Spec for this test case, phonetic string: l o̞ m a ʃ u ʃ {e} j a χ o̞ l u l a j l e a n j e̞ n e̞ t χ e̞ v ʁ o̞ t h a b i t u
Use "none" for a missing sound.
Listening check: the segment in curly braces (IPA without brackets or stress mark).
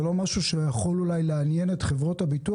e